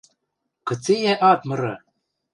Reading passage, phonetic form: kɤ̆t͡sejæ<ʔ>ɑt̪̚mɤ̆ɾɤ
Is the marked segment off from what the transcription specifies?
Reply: no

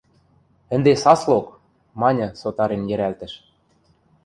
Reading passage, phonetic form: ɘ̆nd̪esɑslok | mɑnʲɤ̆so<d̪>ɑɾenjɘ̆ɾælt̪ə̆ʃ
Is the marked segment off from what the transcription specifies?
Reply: yes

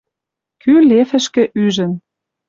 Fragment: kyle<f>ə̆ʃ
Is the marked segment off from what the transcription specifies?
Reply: no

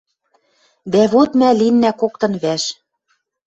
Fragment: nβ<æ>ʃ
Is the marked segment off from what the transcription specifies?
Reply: no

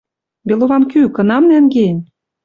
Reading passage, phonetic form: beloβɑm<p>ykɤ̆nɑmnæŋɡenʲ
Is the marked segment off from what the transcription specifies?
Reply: yes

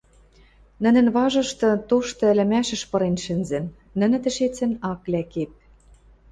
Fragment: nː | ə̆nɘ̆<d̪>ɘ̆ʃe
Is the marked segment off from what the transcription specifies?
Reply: yes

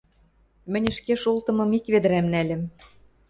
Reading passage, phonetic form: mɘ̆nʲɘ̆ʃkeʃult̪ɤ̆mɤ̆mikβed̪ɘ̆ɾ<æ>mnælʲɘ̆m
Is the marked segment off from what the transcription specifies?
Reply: no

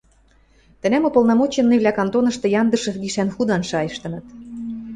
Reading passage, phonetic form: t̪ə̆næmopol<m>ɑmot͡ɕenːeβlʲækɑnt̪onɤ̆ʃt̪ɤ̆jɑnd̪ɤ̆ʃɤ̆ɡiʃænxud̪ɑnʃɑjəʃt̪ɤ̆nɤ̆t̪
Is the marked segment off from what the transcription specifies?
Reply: yes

